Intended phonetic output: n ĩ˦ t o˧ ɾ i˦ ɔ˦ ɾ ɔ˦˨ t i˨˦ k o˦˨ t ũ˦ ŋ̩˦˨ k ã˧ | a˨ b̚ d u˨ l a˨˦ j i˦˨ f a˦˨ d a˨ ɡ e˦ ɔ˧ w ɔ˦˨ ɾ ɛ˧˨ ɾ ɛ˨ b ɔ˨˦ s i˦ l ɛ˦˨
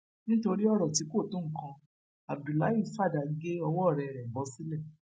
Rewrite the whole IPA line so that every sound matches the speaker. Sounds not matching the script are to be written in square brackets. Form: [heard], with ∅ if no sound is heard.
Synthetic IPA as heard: n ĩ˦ t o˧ ɾ i˦ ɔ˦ ɾ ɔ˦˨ t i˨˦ k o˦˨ t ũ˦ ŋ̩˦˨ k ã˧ | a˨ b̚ d u˨ l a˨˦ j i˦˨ f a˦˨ d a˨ ɡ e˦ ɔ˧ w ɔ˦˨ ɾ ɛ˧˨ ɾ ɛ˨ b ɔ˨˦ s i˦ l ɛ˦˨